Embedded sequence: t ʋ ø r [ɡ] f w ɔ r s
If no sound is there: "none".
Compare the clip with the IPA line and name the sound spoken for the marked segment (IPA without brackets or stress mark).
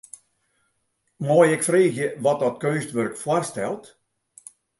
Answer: k